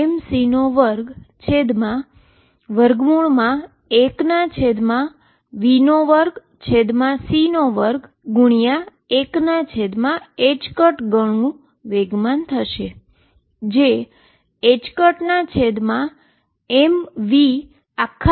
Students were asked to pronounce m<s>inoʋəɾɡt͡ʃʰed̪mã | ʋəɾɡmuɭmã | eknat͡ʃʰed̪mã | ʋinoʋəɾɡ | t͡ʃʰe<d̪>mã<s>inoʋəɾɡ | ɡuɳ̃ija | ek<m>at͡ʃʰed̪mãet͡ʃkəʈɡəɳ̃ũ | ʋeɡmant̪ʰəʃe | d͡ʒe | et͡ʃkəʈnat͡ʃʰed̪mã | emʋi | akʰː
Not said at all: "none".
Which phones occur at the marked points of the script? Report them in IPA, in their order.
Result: s, d̪, s, n

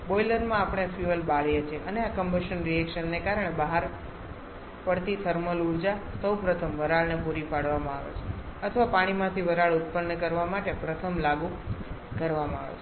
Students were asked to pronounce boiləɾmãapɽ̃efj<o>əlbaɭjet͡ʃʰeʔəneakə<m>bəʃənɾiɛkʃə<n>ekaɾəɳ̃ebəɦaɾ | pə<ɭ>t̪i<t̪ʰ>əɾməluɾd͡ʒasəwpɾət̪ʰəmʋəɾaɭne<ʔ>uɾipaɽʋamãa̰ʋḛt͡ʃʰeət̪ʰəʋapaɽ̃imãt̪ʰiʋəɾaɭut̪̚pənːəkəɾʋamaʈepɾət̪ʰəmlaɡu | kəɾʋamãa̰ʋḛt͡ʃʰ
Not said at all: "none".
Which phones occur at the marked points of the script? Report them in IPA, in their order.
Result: u, m, nː, ɽ, t̪ʰ, p

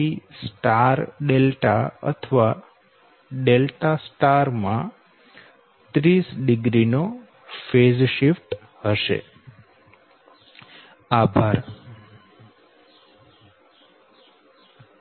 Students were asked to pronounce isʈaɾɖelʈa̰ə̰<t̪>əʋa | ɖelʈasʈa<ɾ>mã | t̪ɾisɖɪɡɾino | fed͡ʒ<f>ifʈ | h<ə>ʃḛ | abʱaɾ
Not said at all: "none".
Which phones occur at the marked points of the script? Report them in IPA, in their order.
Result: t̪ʰ, ɾ, ʃ, ə

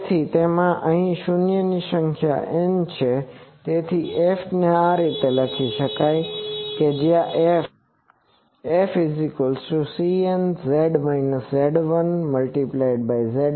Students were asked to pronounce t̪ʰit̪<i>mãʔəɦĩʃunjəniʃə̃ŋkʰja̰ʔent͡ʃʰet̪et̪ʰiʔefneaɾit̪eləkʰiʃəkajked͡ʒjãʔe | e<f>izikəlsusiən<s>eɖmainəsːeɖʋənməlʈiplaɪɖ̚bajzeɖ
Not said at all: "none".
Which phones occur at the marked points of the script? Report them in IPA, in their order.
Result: e, f, z

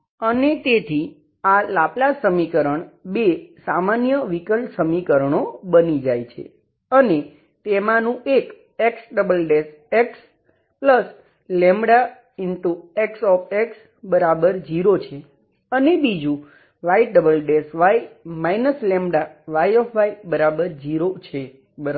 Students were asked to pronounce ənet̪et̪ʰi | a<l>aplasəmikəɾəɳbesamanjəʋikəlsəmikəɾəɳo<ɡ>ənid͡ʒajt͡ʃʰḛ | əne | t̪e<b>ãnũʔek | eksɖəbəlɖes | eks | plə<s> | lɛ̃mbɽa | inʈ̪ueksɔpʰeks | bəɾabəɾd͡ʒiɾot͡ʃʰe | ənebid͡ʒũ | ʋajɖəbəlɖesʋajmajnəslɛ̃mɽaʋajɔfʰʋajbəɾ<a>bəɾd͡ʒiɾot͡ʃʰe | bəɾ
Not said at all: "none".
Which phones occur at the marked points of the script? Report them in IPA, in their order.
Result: l, b, m, s, a

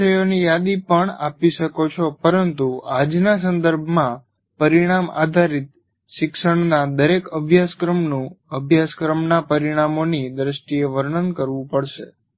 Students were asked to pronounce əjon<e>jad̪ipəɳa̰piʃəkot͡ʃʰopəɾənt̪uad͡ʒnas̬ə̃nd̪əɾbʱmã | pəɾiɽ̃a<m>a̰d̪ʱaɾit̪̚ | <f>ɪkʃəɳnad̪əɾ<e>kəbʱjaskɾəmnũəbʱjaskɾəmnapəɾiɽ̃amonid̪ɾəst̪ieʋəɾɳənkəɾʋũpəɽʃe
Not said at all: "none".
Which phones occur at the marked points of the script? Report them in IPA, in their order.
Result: i, m, ʃ, e

